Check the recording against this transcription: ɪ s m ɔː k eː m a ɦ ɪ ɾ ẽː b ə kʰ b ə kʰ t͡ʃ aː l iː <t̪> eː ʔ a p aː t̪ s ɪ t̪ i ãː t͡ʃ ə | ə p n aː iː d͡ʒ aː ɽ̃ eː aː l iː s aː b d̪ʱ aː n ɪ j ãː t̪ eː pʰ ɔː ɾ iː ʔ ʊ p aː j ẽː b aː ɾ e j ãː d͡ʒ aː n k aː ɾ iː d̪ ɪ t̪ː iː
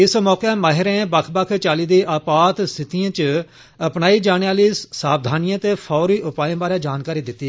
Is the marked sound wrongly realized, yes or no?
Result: yes